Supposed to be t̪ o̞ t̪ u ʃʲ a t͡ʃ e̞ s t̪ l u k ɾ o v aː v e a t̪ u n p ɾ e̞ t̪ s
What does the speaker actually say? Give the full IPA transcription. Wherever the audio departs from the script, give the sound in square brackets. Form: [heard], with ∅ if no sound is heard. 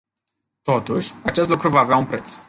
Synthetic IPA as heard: t̪ o̞ t̪ u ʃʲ a t͡ʃ e̞ s t̪ l u k ɾ [u] v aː v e a [∅] u n p ɾ e̞ t̪ s